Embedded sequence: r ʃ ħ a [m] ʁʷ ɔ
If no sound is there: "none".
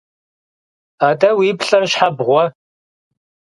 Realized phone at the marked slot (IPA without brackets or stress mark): b